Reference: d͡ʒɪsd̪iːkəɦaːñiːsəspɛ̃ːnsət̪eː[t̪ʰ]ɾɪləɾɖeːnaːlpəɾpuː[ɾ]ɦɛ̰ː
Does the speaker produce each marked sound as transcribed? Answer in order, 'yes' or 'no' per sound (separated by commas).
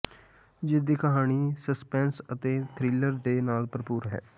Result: yes, yes